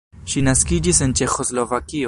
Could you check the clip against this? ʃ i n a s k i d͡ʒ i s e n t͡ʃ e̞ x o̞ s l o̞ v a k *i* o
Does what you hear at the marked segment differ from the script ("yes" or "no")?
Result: no